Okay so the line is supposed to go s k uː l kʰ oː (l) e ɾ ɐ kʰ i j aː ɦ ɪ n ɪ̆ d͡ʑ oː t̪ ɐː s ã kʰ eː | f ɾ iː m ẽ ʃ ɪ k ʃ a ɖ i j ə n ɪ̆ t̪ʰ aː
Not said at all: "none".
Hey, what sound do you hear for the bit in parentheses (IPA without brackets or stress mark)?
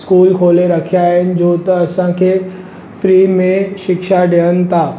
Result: l